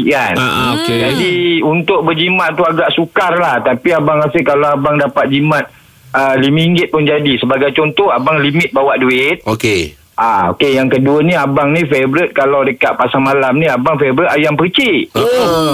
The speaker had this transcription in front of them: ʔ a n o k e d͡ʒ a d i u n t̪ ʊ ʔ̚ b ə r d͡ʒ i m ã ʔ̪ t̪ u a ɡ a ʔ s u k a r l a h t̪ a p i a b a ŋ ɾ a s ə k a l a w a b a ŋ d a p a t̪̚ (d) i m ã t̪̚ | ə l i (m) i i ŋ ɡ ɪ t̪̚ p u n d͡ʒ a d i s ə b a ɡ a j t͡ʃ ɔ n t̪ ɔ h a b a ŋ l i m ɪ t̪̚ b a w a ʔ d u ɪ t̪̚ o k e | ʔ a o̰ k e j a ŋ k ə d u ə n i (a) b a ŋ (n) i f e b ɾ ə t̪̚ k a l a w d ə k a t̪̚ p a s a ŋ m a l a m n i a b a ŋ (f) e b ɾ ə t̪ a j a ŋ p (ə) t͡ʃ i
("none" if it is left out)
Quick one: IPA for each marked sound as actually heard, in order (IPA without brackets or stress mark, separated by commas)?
d͡ʒ, m, a, n, f, ə